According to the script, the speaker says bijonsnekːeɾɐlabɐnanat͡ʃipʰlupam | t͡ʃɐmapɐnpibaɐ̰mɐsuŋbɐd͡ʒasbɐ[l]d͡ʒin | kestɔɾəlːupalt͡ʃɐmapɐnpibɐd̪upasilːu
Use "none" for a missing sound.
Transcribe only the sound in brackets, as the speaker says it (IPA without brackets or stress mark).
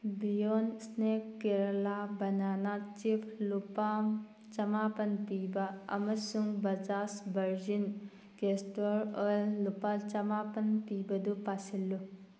ɾ